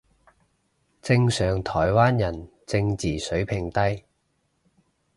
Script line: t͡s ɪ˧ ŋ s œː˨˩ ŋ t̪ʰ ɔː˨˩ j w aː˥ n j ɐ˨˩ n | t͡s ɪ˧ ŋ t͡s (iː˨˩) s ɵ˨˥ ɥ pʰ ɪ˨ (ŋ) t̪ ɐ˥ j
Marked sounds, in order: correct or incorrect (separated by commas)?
correct, correct